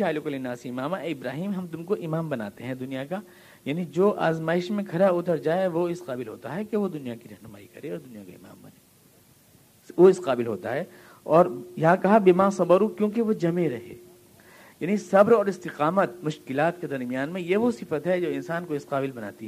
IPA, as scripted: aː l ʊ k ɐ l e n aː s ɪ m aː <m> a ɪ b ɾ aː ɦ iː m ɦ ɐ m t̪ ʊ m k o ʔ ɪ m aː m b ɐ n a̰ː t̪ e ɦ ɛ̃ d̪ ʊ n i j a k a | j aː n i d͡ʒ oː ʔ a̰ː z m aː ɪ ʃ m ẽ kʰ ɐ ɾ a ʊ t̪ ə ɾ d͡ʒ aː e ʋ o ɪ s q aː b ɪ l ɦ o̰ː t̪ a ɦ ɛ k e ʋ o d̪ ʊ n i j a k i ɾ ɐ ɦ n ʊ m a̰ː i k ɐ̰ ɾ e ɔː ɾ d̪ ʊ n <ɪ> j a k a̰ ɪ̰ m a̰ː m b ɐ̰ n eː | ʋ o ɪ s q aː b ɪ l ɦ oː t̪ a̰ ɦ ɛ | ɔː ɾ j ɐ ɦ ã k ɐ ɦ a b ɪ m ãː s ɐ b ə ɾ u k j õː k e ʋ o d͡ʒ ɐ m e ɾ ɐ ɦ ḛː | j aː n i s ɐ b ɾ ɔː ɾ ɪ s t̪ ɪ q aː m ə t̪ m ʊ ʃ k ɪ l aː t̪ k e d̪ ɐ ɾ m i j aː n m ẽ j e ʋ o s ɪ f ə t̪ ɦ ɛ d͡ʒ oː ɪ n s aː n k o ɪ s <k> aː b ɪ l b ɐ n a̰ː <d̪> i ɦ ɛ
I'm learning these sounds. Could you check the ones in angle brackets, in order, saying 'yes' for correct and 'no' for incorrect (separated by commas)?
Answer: yes, no, no, no